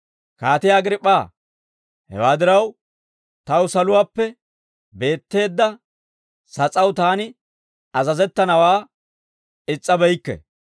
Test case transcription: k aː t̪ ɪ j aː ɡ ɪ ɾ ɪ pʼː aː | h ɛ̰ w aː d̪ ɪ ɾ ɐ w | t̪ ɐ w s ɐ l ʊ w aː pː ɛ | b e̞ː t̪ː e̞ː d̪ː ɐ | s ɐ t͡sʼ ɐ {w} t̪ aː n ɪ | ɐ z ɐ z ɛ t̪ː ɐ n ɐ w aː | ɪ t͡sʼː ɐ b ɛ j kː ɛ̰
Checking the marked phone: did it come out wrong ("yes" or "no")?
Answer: no